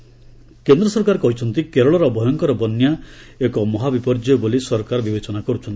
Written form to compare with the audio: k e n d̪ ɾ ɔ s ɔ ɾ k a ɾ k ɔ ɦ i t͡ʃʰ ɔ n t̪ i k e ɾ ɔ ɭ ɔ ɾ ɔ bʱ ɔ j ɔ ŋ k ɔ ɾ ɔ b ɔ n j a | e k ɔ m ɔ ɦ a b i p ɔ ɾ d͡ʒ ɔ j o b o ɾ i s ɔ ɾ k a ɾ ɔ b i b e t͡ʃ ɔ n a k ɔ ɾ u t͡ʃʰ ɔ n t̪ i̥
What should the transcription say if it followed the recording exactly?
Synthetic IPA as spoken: k e n d̪ ɾ ɔ s ɔ ɾ k a ɾ k ɔ ɦ i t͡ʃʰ ɔ n t̪ i k e ɾ ɔ ɭ ɔ ɾ ɔ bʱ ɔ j ɔ ŋ k ɔ ɾ ɔ b ɔ n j a | e k ɔ m ɔ ɦ a b i p ɔ ɾ d͡ʒ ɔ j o b o l i s ɔ ɾ k a ɾ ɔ b i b e t͡ʃ ɔ n a k ɔ ɾ u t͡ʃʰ ɔ n t̪ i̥